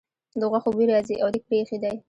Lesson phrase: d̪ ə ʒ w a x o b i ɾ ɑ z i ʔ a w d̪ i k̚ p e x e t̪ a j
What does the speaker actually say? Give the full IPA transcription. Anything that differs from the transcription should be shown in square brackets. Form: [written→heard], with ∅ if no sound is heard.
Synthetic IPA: d̪ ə [ʒ→ɣ] w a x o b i ɾ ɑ z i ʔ a w d̪ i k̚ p e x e [t̪→d̪] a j